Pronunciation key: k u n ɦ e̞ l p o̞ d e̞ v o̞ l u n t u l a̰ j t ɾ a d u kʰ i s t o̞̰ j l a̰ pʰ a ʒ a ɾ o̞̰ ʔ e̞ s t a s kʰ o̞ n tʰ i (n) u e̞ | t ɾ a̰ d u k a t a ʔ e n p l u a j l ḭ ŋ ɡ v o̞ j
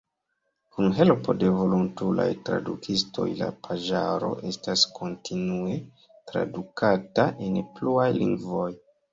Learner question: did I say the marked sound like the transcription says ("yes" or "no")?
yes